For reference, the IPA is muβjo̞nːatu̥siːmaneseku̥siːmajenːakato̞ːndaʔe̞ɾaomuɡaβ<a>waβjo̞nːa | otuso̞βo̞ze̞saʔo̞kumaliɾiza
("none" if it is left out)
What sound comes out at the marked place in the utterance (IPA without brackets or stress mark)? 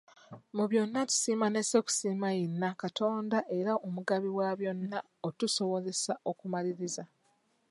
i